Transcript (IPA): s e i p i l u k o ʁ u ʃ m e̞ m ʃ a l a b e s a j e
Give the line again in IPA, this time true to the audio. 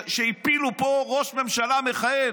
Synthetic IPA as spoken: ʃ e i p i l u p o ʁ o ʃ m e̞ m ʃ a l a m e χ a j e